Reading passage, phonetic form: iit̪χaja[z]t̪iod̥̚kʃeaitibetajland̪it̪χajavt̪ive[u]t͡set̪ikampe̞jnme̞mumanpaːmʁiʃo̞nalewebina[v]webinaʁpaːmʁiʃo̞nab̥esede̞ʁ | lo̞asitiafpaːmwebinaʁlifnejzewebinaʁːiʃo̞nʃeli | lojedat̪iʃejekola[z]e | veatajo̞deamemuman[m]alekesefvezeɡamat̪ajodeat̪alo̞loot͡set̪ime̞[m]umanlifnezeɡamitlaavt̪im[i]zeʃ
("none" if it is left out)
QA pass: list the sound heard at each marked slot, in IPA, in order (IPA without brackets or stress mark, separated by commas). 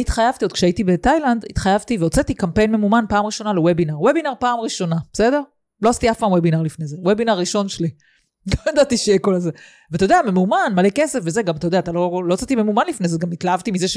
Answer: v, o, ʁ, z, m, m, i